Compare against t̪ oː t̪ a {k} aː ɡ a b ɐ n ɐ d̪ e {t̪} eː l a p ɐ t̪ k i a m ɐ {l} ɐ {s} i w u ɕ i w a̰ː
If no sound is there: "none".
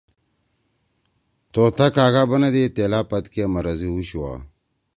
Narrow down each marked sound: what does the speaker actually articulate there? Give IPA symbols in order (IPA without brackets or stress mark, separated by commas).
k, t̪, ɾ, z